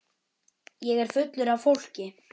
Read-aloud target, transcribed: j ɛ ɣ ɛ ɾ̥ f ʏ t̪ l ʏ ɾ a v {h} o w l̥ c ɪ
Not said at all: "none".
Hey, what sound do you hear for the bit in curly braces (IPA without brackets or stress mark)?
f